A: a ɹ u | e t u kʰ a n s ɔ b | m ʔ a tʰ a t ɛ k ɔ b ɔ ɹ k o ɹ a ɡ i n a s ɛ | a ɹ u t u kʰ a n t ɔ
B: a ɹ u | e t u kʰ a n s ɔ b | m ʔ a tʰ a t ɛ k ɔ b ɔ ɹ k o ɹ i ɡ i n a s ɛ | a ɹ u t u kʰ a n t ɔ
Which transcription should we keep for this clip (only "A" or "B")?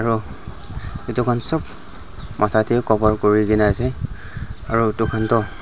B